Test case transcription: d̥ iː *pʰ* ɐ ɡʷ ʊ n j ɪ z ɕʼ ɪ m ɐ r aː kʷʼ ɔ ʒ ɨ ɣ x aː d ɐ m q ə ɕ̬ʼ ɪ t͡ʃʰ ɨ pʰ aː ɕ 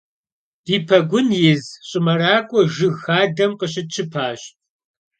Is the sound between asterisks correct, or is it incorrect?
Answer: correct